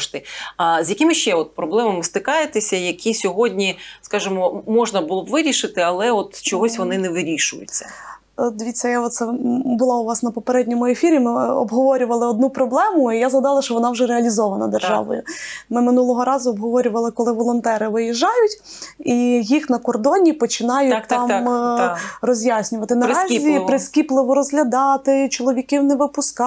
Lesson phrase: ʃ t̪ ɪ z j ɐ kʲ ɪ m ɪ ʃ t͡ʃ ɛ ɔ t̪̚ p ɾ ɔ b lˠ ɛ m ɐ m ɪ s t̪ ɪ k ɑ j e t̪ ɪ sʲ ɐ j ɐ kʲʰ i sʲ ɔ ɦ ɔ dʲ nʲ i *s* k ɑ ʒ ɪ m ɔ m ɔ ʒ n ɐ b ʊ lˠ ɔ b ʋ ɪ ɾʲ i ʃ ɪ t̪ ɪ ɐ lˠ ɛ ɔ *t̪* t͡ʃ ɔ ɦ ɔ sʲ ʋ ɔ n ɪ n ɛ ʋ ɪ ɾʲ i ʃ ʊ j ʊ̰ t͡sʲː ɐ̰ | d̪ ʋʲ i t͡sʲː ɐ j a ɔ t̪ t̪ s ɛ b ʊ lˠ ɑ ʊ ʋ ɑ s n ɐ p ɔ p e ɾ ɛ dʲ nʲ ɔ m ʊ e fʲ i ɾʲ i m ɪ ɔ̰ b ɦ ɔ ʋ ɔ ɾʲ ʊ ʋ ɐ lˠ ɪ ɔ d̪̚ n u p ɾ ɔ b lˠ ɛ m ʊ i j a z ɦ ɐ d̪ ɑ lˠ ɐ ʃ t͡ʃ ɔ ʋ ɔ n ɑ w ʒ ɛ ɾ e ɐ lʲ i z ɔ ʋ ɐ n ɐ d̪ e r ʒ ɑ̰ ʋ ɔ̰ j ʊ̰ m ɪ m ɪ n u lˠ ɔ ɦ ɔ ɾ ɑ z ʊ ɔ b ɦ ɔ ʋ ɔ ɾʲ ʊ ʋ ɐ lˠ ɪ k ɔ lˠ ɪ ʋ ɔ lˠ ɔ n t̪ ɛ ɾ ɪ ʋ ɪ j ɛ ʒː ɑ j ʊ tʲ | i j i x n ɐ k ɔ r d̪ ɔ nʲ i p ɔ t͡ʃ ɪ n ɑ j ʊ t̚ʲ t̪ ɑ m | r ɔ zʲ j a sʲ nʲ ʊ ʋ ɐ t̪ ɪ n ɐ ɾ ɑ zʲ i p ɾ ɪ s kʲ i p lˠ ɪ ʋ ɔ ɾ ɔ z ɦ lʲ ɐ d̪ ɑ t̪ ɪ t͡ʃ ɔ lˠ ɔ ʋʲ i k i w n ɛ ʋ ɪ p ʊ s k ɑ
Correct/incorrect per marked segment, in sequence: correct, correct

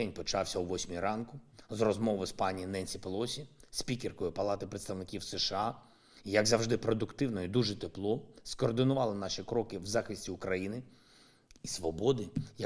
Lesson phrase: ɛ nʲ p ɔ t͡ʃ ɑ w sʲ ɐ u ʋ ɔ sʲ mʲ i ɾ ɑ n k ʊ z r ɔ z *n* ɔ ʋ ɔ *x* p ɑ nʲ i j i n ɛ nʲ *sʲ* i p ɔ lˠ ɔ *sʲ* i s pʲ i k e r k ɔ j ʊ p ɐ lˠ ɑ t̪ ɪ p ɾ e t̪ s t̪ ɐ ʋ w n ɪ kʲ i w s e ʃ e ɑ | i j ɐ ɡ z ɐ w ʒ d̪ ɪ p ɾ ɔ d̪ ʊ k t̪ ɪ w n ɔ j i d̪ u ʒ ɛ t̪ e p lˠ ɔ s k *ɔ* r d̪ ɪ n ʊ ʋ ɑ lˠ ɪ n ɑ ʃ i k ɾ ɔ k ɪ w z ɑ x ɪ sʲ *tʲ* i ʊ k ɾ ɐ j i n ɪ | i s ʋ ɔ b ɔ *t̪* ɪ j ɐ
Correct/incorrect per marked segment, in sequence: incorrect: m, incorrect: s, correct, correct, incorrect: ɔː, correct, incorrect: d̪

